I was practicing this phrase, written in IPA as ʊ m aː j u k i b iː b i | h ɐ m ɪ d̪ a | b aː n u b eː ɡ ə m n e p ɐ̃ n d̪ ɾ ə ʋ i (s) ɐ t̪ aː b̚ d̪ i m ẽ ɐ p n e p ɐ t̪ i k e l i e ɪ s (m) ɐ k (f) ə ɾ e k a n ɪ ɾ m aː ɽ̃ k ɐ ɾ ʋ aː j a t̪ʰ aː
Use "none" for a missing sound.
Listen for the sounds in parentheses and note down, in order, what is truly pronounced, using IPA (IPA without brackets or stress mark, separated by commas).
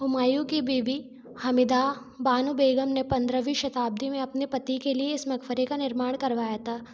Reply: ʃ, m, f